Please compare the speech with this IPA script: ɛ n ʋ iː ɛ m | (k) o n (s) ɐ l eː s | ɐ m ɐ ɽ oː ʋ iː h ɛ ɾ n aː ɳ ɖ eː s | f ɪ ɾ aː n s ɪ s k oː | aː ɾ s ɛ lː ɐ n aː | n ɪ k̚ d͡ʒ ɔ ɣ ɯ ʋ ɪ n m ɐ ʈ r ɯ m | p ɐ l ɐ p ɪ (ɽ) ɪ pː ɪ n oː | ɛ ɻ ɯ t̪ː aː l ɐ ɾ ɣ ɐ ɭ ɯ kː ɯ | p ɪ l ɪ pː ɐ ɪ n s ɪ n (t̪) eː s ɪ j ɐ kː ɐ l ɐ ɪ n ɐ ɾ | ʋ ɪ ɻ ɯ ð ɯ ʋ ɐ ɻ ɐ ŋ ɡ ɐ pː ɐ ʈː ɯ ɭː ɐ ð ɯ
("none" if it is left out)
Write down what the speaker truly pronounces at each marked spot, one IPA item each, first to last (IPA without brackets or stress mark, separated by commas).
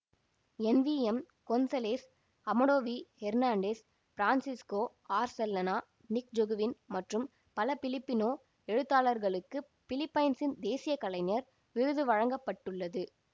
k, s, l, d̪